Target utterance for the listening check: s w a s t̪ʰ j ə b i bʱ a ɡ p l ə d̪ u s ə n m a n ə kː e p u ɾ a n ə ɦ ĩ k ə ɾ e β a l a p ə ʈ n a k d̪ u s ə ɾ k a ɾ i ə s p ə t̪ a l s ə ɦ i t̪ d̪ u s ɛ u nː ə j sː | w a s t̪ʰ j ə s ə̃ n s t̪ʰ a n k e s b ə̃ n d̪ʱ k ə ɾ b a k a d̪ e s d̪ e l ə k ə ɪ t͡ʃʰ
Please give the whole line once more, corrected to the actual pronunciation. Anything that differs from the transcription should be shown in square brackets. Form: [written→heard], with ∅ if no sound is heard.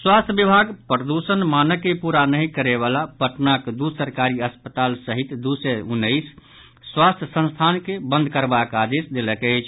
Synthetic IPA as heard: s w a s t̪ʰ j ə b i bʱ a ɡ p [l→ɾ] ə d̪ u s ə n m a n ə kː e p u ɾ a n ə ɦ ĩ k ə ɾ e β a l a p ə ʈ n a k d̪ u s ə ɾ k a ɾ i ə s p ə t̪ a l s ə ɦ i t̪ d̪ u s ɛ u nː ə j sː | w a s t̪ʰ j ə s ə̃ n s t̪ʰ a n k e [s→∅] b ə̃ n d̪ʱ k ə ɾ b a k a d̪ e s d̪ e l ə k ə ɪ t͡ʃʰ